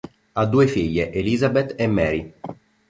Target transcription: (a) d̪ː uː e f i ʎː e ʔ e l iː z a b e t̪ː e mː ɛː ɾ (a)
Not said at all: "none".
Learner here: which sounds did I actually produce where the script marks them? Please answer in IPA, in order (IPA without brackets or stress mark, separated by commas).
a, i